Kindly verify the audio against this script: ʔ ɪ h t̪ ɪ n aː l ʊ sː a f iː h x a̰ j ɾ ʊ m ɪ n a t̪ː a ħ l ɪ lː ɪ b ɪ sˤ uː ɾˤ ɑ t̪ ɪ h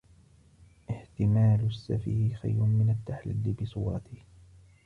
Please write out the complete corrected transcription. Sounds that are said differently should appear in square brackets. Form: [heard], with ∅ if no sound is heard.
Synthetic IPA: ʔ ɪ h t̪ ɪ [m] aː l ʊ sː a f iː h x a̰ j ɾ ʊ m ɪ n a t̪ː a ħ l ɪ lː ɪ b ɪ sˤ uː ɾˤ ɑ t̪ ɪ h